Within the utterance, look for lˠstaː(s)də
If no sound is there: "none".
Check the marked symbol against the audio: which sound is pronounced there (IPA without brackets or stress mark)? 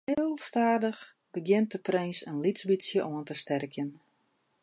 none